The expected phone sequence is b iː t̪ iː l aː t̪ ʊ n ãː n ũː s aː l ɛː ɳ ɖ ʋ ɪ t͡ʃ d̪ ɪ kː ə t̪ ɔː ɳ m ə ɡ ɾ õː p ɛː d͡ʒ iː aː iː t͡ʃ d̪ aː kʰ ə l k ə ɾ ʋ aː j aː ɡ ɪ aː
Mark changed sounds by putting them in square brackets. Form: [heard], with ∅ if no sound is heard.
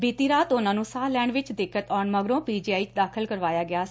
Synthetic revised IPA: b iː t̪ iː [ɾ] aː t̪ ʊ n ãː n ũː s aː l ɛː ɳ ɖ ʋ ɪ t͡ʃ d̪ ɪ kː ə t̪ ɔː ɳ m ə ɡ ɾ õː p [iː] d͡ʒ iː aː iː t͡ʃ d̪ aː kʰ ə l k ə ɾ ʋ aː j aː ɡ ɪ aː